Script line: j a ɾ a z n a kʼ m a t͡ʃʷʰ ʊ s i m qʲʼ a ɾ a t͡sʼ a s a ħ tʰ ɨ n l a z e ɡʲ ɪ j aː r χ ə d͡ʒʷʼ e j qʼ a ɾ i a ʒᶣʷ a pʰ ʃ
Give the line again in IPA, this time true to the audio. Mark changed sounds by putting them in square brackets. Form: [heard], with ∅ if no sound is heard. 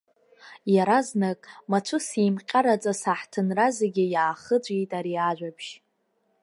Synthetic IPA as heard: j a ɾ a z n a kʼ m a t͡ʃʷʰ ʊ s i m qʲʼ a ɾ a t͡sʼ a s a ħ tʰ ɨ n [r] a z e ɡʲ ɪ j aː [∅] χ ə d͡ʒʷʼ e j [tʼ] a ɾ i a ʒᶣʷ a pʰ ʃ